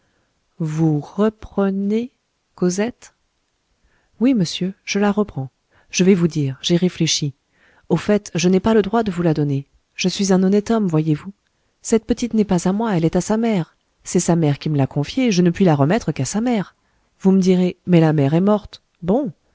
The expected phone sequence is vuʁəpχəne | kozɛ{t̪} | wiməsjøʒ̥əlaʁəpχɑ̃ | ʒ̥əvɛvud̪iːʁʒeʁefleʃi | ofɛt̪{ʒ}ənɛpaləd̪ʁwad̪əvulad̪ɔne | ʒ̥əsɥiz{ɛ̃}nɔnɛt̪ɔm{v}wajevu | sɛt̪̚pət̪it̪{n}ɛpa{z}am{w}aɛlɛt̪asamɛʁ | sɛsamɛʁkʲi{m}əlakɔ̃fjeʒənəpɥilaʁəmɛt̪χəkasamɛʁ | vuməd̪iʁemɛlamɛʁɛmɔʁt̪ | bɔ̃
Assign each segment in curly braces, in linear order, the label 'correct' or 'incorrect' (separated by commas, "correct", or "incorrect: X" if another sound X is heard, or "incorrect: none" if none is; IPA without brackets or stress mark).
correct, correct, correct, correct, correct, correct, correct, correct